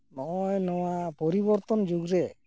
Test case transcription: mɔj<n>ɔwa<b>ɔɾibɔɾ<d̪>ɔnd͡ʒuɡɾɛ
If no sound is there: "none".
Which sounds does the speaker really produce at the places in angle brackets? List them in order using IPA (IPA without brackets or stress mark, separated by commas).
n, p, t̪